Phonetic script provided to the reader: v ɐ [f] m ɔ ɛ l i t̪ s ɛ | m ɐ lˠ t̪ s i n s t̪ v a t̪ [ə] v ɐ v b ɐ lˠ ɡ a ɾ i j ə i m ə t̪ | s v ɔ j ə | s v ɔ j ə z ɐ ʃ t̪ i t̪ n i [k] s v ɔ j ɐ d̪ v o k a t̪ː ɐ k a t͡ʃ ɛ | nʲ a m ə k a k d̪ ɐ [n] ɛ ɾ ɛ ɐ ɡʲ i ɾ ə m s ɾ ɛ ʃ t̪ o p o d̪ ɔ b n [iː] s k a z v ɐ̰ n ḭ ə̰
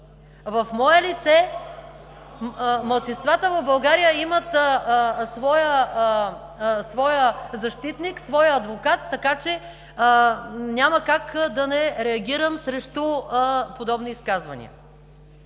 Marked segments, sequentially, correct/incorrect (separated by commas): correct, correct, correct, correct, correct